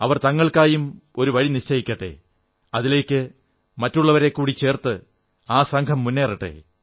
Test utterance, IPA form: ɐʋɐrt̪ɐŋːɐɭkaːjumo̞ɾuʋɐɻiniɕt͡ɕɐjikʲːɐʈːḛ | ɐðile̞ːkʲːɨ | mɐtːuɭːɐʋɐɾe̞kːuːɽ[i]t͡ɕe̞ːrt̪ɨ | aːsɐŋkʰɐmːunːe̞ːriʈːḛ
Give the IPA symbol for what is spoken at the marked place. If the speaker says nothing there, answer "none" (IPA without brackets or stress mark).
i